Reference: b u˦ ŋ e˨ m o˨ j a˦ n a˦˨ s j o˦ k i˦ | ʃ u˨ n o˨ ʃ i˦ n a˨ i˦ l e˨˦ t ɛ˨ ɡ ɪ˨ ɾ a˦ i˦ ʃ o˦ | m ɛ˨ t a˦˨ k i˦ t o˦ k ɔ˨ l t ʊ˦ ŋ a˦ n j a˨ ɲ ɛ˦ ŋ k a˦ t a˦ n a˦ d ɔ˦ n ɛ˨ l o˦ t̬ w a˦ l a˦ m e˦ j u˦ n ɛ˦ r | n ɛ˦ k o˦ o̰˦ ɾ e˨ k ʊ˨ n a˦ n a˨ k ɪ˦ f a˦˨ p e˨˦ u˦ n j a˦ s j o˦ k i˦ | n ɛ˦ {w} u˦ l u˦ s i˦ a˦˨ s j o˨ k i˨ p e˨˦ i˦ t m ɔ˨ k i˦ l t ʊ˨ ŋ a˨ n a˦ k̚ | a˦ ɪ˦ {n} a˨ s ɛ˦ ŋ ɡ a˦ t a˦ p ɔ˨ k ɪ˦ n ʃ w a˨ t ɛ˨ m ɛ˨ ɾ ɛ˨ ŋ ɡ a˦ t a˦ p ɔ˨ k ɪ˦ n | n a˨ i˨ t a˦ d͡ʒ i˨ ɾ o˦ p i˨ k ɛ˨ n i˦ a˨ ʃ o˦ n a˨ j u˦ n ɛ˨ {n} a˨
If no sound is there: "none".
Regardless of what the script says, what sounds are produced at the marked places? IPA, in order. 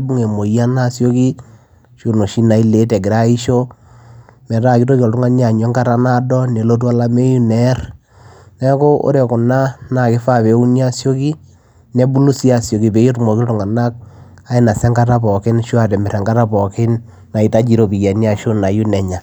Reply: b, n, ɲ

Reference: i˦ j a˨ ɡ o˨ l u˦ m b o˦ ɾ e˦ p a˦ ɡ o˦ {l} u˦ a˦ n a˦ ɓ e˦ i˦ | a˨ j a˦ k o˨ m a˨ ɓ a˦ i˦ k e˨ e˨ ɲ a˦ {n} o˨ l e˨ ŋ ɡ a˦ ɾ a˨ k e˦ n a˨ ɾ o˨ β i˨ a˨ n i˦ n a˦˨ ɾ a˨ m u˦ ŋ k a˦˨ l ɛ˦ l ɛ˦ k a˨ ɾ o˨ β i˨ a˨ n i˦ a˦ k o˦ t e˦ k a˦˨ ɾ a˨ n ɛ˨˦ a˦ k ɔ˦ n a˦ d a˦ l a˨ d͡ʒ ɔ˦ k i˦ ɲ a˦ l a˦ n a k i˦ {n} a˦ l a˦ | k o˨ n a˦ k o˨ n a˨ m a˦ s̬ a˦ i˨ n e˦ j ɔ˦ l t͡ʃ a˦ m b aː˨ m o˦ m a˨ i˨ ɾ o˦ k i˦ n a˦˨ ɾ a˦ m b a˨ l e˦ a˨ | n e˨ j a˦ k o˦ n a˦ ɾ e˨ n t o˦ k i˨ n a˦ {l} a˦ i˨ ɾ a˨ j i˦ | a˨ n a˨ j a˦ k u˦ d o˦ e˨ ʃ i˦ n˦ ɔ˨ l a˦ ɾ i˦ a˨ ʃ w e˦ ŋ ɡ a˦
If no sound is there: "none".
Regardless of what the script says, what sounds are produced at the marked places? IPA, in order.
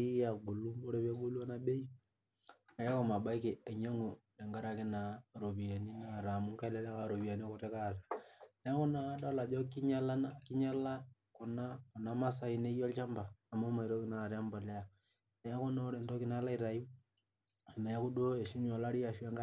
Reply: l, ŋ, ɲ, l

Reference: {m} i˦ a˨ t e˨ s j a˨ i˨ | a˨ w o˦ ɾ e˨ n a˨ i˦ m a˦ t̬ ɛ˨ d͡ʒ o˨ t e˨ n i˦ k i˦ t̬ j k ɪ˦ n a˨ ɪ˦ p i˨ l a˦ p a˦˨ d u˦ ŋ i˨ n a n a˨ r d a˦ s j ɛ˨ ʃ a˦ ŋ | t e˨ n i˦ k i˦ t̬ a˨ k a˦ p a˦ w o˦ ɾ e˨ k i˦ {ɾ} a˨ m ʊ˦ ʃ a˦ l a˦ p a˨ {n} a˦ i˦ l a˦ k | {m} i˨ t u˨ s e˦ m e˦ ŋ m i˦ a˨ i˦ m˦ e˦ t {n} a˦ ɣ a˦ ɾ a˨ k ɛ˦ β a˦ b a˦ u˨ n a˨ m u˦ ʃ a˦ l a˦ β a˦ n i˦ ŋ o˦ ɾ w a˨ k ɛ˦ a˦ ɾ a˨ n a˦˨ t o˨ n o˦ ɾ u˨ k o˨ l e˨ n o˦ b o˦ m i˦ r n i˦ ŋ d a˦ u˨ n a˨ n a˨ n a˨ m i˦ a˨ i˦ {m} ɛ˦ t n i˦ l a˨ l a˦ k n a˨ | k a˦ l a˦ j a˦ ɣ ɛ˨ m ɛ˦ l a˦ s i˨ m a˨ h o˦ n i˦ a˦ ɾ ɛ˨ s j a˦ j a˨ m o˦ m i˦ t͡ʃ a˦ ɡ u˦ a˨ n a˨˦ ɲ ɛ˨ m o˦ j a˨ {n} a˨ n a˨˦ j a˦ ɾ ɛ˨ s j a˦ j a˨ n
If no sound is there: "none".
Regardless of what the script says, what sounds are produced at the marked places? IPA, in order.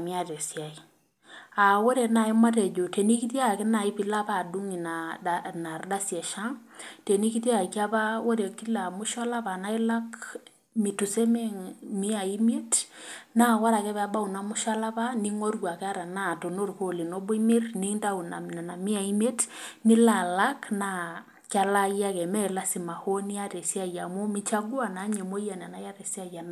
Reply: m, l, n, m, n, m, n

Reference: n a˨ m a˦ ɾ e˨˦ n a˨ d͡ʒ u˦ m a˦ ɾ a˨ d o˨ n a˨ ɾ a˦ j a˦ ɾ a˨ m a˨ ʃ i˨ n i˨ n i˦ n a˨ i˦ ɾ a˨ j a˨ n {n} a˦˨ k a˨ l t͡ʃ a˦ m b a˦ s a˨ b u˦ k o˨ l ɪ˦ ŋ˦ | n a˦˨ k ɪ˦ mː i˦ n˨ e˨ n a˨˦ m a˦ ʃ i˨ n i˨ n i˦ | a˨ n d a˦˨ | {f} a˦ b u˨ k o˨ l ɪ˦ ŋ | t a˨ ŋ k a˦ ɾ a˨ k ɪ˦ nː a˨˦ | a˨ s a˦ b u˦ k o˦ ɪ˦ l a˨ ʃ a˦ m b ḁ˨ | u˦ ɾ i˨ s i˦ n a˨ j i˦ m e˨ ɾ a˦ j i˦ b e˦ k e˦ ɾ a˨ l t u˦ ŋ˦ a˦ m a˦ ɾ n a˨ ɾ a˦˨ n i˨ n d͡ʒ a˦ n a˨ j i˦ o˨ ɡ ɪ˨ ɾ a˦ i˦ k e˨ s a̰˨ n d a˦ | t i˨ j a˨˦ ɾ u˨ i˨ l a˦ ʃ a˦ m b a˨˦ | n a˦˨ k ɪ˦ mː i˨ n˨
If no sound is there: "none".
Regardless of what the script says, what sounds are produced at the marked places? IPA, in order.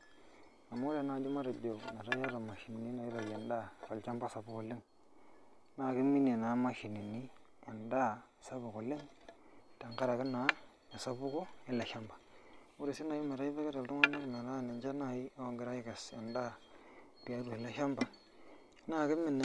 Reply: d, s

